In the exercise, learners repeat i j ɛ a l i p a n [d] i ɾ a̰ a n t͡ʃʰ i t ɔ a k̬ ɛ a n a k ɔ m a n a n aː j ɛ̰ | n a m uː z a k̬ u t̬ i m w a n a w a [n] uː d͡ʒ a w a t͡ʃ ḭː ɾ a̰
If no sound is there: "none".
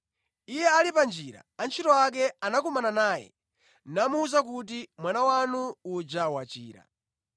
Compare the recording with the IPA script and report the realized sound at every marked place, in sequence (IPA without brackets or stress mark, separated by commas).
d͡ʒ, n